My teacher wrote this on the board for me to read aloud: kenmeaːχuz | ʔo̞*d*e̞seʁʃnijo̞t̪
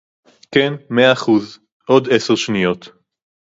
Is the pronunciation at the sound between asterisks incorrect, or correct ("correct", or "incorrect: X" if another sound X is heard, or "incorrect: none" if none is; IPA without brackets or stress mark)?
correct